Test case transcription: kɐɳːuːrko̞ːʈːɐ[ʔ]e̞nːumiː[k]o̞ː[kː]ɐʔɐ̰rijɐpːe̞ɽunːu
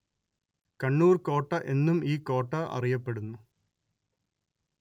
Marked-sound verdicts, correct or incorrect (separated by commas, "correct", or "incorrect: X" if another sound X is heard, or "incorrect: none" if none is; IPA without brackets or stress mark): correct, correct, incorrect: ʈː